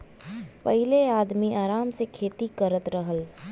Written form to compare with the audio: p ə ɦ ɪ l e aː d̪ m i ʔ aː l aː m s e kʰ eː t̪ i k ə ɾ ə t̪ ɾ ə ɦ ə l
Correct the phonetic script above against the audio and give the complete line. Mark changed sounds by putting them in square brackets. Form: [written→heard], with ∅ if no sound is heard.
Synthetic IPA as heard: p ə ɦ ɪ l e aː d̪ m i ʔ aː [l→ɾ] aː m s e kʰ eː t̪ i k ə ɾ ə t̪ ɾ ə ɦ ə l